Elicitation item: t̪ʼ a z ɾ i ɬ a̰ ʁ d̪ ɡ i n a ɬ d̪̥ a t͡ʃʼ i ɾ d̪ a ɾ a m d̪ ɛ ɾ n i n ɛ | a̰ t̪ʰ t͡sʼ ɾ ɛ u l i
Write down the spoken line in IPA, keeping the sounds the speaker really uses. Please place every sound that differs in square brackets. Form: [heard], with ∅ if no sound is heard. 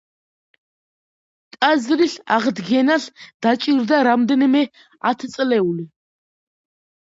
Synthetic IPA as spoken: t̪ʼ a z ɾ i ɬ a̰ ʁ d̪ ɡ [ɛ] n a ɬ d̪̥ a t͡ʃʼ i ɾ d̪ a ɾ a m d̪ ɛ [∅] n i [m] ɛ | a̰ t̪ʰ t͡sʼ [l] ɛ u l i